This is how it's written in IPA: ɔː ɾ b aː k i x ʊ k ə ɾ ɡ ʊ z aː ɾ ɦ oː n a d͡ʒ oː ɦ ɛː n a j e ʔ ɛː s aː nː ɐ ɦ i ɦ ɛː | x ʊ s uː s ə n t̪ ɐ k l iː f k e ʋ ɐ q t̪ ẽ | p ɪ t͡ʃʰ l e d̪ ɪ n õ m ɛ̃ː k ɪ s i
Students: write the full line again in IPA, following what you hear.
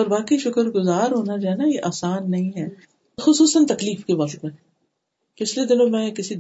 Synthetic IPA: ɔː ɾ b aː k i ʃ ʊ k ə ɾ ɡ ʊ z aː ɾ ɦ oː n a d͡ʒ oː ɦ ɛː n a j e ʔ aː s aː nː ɐ ɦ ĩ ɦ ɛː | x ʊ s uː s ə n t̪ ɐ k l iː f k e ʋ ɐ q t̪ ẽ | p ɪ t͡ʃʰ l e d̪ ɪ n õ m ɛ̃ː k ɪ s i